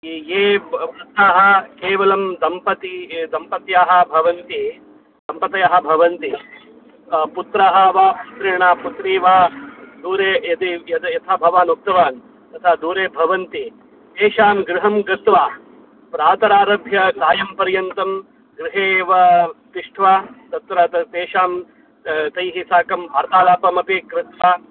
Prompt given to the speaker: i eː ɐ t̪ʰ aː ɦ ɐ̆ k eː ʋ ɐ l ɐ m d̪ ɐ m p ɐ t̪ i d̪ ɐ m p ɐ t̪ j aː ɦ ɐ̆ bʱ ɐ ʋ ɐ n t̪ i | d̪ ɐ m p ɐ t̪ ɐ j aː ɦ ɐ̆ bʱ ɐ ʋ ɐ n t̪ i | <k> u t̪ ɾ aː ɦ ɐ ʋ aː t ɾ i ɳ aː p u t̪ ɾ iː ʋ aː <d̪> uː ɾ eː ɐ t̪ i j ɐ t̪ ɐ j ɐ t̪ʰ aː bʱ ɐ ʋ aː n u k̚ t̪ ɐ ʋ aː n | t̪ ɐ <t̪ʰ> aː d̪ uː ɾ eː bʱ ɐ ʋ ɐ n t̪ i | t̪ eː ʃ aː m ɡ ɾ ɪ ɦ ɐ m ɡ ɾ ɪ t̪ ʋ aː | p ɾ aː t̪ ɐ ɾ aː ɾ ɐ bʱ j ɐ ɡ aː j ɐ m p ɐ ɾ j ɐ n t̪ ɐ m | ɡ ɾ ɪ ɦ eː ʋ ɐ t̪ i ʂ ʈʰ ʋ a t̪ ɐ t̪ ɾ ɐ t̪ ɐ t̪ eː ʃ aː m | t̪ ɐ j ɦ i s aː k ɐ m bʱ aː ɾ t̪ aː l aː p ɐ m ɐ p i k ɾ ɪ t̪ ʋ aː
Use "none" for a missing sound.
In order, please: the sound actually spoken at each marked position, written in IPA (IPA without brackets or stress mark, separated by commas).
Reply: p, d̪, t̪ʰ